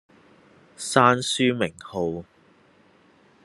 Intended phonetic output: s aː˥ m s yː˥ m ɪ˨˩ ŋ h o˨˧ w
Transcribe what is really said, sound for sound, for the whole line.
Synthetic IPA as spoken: s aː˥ n s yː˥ m ɪ˨˩ ŋ h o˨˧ w